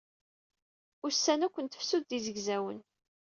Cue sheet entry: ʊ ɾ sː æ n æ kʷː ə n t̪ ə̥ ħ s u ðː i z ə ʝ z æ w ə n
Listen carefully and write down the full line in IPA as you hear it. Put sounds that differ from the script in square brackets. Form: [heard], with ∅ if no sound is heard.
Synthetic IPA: ʊ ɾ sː æ n æ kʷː ə n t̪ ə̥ [f] s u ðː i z ə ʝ z æ w ə n